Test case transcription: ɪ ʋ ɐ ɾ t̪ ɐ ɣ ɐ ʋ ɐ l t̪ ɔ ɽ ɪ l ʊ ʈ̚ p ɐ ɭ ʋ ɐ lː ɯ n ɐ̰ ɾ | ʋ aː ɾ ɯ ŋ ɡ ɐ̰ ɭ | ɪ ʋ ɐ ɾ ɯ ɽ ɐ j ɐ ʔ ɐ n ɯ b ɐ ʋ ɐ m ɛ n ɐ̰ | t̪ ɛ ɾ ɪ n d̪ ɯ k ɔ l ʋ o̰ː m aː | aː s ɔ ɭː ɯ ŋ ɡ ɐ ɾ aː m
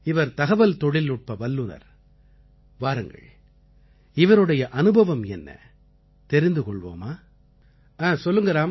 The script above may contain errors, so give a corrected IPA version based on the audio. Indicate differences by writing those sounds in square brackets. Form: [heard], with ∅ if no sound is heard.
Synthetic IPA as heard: ɪ ʋ ɐ ɾ t̪ ɐ ɣ ɐ ʋ ɐ l t̪ ɔ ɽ ɪ l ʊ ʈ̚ p ɐ [∅] ʋ ɐ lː ɯ n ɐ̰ ɾ | ʋ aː ɾ ɯ ŋ ɡ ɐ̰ ɭ | ɪ ʋ ɐ ɾ ɯ ɽ ɐ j ɐ ʔ ɐ n ɯ b ɐ ʋ ɐ m ɛ [nː] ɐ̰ | t̪ ɛ ɾ ɪ n d̪ ɯ k ɔ [ɭ] ʋ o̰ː m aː | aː s ɔ [lː] ɯ ŋ ɡ ɐ ɾ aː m